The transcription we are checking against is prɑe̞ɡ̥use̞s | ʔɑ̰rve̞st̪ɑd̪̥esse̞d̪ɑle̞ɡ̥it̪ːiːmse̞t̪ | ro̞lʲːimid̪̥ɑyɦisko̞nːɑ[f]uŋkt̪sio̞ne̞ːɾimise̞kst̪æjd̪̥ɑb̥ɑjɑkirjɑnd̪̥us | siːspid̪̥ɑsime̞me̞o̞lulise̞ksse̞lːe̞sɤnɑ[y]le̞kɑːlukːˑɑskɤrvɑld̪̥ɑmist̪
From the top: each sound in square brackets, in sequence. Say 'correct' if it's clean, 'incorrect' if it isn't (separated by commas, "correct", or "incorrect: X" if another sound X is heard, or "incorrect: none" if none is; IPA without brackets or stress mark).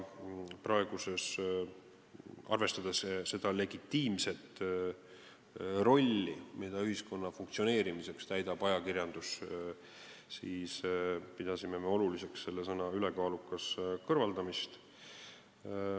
correct, correct